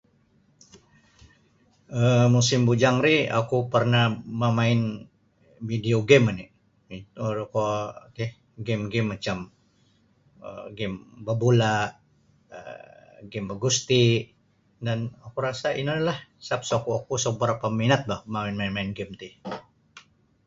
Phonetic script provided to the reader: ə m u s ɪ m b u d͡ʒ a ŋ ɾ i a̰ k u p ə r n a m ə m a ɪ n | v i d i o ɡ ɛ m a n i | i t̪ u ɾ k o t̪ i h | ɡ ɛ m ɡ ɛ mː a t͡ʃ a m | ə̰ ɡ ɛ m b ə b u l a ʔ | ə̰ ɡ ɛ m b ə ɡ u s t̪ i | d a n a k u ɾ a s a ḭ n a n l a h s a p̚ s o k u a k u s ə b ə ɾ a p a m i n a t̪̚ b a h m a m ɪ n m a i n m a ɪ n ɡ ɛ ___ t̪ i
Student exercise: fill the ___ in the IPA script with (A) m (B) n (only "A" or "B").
A